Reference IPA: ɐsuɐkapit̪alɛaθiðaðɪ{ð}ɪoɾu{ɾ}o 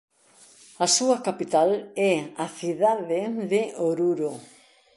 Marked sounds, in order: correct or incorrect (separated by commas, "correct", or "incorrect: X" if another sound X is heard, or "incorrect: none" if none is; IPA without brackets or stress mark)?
correct, correct